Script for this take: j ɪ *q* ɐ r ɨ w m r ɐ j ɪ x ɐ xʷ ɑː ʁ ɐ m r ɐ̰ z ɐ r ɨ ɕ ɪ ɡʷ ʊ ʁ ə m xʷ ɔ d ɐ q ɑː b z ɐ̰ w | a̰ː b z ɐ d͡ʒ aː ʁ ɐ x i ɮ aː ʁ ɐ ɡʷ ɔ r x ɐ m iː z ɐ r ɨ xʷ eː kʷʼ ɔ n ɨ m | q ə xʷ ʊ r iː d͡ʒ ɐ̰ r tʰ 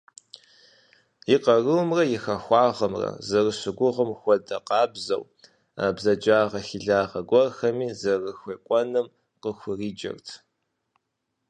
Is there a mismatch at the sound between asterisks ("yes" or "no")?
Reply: no